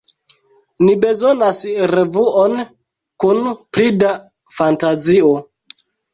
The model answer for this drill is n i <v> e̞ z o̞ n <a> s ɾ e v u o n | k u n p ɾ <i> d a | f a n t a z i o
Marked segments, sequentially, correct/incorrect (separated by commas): incorrect, correct, correct